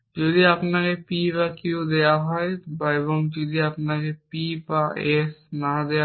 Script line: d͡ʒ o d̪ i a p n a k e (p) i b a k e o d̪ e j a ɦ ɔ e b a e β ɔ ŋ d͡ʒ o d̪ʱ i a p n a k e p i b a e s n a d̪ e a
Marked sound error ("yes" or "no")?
no